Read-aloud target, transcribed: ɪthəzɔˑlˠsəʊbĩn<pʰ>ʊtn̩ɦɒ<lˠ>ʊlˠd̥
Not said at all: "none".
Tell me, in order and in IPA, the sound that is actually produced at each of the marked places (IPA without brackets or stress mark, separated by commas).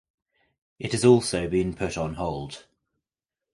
pʰ, none